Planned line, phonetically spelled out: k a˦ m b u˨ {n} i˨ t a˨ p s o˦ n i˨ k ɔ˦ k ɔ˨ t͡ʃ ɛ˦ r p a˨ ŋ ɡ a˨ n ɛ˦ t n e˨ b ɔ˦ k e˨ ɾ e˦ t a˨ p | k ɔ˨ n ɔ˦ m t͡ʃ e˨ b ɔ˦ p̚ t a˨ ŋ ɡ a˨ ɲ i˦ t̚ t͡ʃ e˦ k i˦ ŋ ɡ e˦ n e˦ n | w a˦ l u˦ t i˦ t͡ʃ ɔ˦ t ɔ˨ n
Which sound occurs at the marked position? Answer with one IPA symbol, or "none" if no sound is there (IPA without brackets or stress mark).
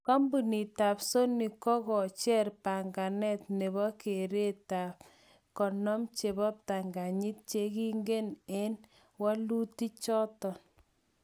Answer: n